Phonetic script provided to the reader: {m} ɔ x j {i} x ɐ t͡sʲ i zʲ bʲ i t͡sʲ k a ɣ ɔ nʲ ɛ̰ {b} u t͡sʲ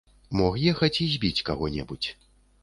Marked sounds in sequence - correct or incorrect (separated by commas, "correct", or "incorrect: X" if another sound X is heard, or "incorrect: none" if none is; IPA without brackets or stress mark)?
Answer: correct, incorrect: ɛ, correct